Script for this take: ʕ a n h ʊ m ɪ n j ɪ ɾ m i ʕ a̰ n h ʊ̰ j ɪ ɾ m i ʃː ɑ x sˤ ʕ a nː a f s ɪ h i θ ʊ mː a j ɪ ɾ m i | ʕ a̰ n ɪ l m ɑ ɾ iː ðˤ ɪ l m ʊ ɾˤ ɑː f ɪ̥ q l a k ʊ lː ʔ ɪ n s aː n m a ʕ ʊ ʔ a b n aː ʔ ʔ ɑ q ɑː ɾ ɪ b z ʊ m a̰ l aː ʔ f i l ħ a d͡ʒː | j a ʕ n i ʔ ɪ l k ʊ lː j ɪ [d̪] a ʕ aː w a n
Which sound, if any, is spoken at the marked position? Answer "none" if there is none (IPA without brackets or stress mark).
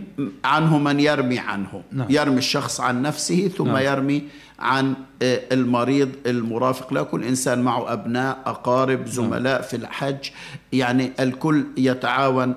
t̪